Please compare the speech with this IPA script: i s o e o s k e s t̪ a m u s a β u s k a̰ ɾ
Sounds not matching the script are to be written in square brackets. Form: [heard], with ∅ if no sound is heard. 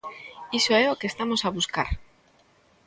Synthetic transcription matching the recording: i s o e o [∅] k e s t̪ a m [o] s a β u s k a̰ ɾ